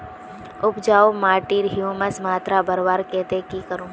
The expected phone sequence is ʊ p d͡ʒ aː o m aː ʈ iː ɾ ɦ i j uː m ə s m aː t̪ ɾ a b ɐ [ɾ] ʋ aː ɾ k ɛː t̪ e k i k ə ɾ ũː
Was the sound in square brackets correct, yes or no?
yes